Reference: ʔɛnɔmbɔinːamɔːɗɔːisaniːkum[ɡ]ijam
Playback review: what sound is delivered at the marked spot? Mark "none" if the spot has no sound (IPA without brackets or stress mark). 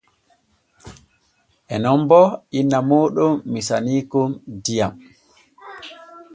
d